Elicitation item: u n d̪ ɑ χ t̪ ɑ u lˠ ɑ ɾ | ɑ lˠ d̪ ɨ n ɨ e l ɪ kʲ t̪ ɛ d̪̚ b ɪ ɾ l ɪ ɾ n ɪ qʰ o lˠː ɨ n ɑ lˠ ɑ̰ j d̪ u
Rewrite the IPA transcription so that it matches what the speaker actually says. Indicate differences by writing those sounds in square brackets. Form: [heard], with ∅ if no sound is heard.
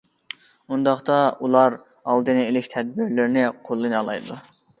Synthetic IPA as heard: u n d̪ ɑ χ t̪ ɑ u lˠ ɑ ɾ | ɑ lˠ d̪ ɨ n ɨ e l ɪ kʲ [t̪ʰ] ɛ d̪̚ b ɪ ɾ l ɪ ɾ n ɪ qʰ o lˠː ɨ n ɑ lˠ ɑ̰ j d̪ u